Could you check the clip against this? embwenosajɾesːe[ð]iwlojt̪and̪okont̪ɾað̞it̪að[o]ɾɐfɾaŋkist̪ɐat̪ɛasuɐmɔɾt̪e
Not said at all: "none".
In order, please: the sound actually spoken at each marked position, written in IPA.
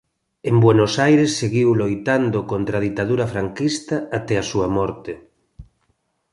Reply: ɣ, u

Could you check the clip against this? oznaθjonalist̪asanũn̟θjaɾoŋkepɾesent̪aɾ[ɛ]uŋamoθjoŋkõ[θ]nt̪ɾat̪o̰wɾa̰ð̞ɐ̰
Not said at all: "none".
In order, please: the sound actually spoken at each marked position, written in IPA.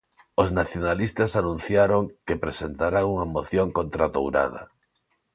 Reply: a, none

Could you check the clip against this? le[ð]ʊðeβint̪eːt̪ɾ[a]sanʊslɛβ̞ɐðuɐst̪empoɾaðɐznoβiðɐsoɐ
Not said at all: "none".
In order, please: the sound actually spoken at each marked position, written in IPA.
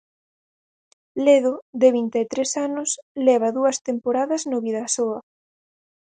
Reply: ð, e

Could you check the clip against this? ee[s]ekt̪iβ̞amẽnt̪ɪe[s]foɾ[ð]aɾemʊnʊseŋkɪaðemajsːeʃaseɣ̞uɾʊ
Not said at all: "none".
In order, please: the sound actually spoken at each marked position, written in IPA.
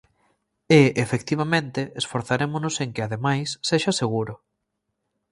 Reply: f, s, θ

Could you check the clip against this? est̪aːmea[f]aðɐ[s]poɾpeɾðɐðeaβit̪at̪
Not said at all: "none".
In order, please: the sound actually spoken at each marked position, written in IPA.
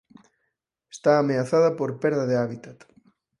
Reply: θ, none

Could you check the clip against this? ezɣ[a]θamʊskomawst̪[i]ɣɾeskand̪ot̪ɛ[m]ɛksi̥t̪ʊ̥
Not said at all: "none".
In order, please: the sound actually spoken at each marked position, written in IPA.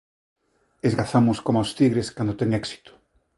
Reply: a, i, ŋ

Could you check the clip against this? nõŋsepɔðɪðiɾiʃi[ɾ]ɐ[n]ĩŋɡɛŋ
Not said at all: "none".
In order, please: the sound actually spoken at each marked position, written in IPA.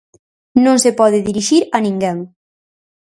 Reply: ɾ, n

